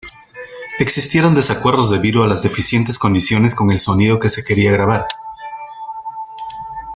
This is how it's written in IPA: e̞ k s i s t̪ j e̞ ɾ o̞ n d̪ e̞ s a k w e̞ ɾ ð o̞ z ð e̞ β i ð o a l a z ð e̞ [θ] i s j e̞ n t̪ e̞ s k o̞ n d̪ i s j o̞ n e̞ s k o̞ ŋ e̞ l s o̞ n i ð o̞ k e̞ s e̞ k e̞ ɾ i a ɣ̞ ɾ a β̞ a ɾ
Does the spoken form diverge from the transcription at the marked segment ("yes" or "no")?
yes